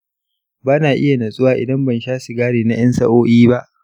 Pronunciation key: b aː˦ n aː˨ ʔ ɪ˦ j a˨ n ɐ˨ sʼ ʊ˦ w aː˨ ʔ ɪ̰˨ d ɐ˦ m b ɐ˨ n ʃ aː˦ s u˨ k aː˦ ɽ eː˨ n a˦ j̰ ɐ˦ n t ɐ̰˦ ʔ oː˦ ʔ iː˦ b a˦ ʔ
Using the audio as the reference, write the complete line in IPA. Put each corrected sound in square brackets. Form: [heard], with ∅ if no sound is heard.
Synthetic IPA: b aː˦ n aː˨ ʔ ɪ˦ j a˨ n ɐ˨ sʼ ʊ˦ w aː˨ ʔ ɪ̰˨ d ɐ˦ m b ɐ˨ n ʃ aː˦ s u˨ [ɡ] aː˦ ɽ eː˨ n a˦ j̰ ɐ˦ n [s] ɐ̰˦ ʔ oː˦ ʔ iː˦ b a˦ ʔ